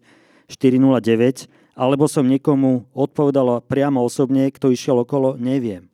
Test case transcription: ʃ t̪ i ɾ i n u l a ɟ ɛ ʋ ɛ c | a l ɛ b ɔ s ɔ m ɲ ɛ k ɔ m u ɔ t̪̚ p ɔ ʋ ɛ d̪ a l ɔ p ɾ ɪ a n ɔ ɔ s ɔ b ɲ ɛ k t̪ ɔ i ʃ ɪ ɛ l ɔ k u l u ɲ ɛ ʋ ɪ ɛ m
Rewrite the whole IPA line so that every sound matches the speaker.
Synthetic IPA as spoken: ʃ t̪ i ɾ i n u l a ɟ ɛ ʋ ɛ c | a l ɛ b ɔ s ɔ m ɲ ɛ k ɔ m u ɔ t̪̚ p ɔ ʋ ɛ d̪ a l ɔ p ɾ ɪ a m ɔ ɔ s ɔ b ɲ ɛ k t̪ ɔ i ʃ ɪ ɛ l ɔ k ɔ l ɔ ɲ ɛ ʋ ɪ ɛ m